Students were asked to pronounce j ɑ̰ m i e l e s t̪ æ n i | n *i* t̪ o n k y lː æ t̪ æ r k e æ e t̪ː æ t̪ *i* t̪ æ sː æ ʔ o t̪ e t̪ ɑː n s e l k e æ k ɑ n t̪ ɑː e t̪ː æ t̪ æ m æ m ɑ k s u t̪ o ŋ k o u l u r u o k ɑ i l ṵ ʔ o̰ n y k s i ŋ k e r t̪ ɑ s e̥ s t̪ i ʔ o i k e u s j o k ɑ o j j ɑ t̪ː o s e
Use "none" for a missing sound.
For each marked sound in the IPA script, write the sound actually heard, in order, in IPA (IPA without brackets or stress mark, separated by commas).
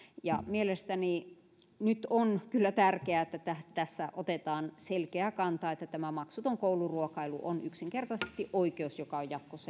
y, æ